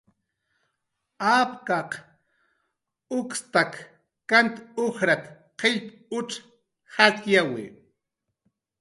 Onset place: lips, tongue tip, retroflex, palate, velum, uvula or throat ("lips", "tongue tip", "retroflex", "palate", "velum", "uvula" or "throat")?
lips